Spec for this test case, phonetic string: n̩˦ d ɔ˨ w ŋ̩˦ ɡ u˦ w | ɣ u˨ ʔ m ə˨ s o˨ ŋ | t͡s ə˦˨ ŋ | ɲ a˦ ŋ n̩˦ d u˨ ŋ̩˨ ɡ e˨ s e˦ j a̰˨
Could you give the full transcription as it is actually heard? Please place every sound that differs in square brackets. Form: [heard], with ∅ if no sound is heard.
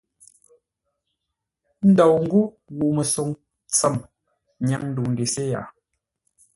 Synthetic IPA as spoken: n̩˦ d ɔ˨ w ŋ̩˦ ɡ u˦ [∅] | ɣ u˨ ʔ m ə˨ s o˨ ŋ | t͡s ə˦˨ [m] | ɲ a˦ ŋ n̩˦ d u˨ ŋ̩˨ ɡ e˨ s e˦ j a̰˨